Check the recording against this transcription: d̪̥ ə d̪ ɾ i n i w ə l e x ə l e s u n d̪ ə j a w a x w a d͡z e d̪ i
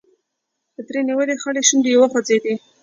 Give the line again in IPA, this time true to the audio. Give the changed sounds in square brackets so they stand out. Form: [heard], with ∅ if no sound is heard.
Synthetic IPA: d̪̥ ə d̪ ɾ [e] n i w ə l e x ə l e [ʃ] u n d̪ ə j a w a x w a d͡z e d̪ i